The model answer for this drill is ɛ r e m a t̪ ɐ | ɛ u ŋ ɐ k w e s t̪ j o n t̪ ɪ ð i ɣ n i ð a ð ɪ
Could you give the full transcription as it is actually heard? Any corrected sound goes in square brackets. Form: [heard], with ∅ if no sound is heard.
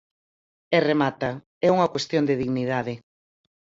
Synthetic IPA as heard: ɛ r e m a t̪ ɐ | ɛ u ŋ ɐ k w e s t̪ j o n [d̪] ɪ ð i ɣ n i ð a ð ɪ